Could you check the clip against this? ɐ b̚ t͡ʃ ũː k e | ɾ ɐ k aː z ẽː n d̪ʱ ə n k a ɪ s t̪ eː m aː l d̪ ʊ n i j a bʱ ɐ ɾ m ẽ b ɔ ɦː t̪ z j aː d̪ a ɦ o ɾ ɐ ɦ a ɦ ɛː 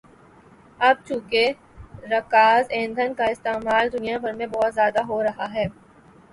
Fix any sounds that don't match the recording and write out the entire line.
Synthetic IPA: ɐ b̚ t͡ʃ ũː k e | ɾ ɐ k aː z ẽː n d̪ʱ ə n k a ɪ s t̪ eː m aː l d̪ ʊ n i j a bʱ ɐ ɾ m ẽ b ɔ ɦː t̪ z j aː d̪ a ɦ o ɾ ɐ ɦ a ɦ ɛː